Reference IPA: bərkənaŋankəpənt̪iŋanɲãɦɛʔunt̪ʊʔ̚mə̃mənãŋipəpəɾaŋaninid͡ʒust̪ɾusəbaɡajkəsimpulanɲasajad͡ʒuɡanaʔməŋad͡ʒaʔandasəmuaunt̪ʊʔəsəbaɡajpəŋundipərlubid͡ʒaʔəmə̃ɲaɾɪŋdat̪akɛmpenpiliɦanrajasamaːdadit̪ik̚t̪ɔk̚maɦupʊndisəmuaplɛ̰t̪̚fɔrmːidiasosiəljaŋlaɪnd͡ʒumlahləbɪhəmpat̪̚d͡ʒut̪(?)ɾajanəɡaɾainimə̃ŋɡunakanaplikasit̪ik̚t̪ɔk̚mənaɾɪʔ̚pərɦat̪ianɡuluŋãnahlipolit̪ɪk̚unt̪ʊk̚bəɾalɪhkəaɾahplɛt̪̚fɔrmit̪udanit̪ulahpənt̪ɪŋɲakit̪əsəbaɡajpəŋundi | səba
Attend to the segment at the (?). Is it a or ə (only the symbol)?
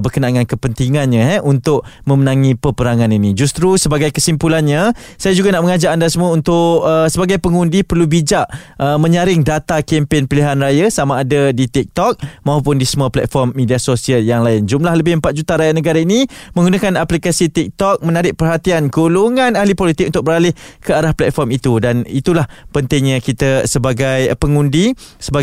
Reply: a